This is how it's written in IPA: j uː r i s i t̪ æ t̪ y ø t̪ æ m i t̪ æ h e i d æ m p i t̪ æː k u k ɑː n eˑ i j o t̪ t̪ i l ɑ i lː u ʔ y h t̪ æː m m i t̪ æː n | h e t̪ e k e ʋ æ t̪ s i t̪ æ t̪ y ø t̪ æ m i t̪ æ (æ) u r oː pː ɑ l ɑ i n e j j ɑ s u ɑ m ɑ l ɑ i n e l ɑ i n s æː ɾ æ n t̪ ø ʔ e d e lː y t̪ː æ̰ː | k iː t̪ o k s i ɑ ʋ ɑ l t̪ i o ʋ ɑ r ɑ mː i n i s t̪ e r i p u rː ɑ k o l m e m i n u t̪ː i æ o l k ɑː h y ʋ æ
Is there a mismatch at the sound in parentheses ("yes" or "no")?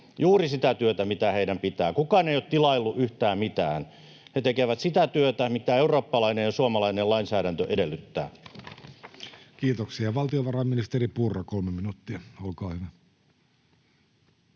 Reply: yes